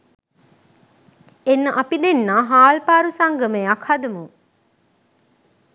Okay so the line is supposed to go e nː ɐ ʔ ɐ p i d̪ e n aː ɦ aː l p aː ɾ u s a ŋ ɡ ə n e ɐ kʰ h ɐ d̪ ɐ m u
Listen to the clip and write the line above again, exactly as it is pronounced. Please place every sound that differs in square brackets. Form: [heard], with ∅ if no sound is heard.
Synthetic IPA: e nː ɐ ʔ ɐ p i d̪ e [nː] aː ɦ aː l p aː ɾ u s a ŋ ɡ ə [m] e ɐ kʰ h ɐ d̪ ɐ m u